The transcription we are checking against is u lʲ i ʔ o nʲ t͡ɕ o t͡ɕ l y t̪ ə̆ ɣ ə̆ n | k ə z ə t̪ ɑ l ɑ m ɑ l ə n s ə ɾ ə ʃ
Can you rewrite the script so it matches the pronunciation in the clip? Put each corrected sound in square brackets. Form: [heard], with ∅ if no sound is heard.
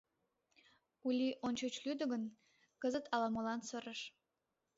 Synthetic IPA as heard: u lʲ i ʔ o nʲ t͡ɕ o t͡ɕ l y [d̪] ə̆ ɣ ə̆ n | k ə z ə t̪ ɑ l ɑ m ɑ l [ɑ] n s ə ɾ ə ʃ